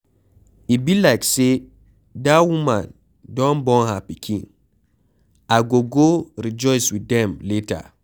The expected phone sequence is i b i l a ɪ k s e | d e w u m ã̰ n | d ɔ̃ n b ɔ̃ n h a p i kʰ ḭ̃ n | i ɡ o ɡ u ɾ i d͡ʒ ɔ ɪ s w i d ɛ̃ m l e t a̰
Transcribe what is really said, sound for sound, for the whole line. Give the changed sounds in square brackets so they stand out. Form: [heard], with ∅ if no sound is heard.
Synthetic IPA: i b i l a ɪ k s e | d [a] w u m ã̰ n | d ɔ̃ n b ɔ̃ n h a p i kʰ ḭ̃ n | [a] ɡ o ɡ [o] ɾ i d͡ʒ ɔ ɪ s w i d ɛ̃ m l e t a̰